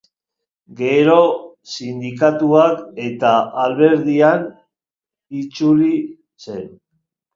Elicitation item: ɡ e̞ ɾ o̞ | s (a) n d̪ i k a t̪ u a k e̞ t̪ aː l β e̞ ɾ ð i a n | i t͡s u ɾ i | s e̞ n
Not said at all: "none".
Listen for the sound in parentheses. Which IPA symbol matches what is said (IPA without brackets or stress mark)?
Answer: i